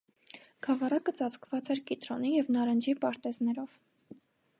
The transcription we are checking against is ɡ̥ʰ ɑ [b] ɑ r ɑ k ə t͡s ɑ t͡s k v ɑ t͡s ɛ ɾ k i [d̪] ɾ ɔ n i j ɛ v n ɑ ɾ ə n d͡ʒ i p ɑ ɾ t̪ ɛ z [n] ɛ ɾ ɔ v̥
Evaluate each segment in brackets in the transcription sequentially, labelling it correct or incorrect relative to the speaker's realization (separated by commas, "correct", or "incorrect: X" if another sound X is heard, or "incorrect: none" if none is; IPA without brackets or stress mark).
incorrect: v, incorrect: t̪, correct